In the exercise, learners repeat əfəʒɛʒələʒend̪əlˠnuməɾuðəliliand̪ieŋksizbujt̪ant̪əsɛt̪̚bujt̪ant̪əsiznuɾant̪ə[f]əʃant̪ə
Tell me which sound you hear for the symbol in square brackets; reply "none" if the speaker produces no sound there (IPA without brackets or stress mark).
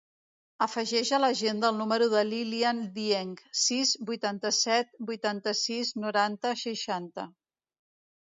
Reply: ʃ